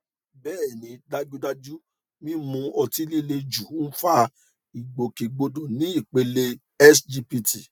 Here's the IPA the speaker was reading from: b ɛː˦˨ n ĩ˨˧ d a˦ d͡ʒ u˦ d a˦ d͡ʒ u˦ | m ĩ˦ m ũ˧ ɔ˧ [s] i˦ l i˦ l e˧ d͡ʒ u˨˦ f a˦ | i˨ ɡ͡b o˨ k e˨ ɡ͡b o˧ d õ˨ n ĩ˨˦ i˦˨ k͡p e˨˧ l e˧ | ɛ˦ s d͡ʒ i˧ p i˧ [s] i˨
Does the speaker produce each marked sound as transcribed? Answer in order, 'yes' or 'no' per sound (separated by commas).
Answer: no, no